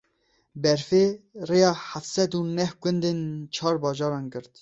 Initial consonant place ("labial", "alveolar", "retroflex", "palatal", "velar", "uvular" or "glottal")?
labial